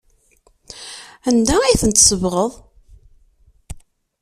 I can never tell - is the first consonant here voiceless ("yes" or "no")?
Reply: no